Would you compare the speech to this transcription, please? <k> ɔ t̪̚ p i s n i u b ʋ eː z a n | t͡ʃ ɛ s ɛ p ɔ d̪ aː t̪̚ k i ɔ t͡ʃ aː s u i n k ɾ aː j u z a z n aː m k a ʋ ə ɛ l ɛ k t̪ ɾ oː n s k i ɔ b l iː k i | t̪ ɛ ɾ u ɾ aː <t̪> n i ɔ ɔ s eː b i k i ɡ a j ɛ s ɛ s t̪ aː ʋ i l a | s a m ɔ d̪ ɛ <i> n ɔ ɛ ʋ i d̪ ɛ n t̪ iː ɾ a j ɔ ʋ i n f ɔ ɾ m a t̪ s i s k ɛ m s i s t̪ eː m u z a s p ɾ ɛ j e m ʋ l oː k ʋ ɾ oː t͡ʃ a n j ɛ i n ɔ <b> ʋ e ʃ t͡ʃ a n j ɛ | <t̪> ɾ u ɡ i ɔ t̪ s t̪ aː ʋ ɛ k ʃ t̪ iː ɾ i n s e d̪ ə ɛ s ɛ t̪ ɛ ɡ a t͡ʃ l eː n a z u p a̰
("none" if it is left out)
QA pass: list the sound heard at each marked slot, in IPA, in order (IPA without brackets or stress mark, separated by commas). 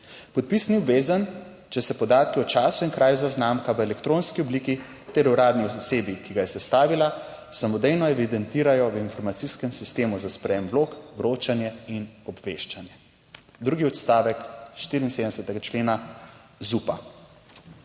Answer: p, d̪, j, b, d̪